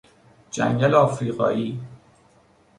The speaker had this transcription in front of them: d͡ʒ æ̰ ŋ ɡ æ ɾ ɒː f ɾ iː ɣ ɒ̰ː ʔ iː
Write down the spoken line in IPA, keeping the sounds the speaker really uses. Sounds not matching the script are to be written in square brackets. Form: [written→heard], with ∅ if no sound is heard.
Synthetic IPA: d͡ʒ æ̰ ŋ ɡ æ [ɾ→l] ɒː f ɾ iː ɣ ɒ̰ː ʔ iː